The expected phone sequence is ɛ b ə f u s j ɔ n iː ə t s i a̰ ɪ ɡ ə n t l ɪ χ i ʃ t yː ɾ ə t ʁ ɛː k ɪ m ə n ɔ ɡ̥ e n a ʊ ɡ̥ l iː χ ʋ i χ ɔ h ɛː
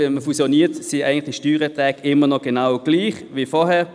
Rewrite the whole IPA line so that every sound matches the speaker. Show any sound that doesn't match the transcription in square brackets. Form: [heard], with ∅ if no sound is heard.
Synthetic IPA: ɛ [m] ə f u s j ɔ n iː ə t s i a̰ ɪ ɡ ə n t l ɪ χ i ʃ t yː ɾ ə t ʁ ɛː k ɪ m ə n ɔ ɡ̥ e n a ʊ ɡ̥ l iː χ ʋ i [f] ɔ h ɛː